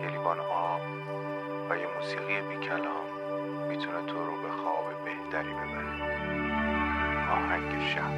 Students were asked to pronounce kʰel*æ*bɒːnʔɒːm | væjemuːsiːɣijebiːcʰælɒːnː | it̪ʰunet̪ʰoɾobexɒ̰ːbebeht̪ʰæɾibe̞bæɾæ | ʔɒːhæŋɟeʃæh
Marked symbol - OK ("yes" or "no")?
no